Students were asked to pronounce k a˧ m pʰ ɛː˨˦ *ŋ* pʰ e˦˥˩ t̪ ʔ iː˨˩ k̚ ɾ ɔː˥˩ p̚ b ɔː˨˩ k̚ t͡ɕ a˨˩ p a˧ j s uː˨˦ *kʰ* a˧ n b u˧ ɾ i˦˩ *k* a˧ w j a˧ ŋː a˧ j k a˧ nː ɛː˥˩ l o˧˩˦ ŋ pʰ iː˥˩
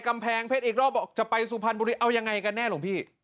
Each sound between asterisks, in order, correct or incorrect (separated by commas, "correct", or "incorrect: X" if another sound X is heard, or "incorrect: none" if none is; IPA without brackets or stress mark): correct, incorrect: pʰ, incorrect: ʔ